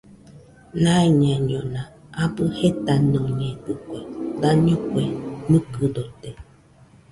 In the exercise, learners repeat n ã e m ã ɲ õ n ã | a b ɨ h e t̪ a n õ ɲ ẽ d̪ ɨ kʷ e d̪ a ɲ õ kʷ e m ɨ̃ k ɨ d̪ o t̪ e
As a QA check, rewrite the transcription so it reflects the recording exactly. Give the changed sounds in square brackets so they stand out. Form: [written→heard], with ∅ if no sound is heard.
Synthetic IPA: n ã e [m→ɲ] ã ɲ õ n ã | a b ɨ h e t̪ a n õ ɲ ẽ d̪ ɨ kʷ e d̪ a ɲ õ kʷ e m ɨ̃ k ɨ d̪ o t̪ e